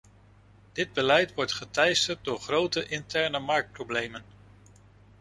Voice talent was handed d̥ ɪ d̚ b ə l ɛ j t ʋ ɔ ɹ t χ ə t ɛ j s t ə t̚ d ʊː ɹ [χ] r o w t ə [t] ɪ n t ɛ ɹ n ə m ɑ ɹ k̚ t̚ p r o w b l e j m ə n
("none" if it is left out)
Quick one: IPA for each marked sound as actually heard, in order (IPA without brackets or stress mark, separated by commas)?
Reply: χ, ʔ